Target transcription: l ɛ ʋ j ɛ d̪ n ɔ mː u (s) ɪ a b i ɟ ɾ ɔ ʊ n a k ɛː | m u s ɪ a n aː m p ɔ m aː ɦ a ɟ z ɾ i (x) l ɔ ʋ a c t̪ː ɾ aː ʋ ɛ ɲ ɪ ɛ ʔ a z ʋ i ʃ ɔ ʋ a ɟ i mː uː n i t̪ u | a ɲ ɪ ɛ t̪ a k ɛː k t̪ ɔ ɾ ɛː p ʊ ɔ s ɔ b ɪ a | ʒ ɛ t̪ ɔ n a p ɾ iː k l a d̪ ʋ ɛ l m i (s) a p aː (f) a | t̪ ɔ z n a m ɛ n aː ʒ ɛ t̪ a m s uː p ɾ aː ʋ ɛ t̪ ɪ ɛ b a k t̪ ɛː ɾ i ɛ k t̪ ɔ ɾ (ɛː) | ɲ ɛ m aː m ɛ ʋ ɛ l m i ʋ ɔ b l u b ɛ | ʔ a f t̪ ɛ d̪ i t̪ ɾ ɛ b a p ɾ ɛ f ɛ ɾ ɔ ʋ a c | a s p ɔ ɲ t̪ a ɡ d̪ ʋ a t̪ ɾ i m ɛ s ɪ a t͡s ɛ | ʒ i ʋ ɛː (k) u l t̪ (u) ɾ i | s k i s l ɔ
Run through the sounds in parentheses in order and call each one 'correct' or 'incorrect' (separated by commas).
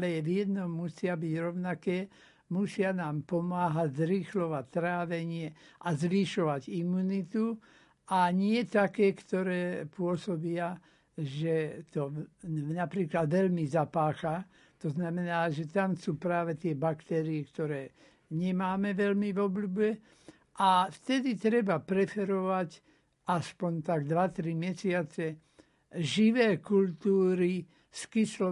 correct, correct, incorrect, incorrect, correct, correct, incorrect